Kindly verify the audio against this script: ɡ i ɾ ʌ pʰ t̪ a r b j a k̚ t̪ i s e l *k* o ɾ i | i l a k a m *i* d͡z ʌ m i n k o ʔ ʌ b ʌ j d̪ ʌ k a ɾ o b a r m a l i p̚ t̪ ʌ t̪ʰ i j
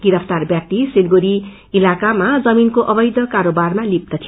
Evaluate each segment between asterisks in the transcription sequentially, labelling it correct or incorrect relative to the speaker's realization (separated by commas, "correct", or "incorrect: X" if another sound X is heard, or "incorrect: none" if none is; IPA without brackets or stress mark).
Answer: incorrect: ɡ, incorrect: a